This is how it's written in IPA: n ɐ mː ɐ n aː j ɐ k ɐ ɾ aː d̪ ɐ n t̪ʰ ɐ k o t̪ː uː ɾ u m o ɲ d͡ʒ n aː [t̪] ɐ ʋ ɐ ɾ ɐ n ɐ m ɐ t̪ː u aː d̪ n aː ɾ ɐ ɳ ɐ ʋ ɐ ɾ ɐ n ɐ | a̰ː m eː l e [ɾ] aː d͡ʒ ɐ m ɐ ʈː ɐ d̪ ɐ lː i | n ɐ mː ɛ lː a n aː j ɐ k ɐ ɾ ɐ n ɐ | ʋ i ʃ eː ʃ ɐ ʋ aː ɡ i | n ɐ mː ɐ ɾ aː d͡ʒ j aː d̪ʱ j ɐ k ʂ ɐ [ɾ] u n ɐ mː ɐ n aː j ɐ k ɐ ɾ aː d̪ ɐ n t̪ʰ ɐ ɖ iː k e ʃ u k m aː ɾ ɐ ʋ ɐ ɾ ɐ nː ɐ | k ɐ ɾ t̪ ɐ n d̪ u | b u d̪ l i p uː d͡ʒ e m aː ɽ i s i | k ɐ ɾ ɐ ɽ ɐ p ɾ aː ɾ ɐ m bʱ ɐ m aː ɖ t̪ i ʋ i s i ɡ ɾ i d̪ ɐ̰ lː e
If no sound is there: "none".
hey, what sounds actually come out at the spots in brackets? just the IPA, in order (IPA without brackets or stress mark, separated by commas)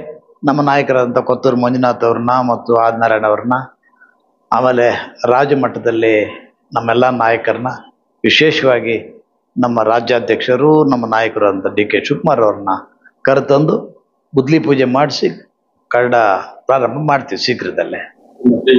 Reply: t̪, ɾ, ɾ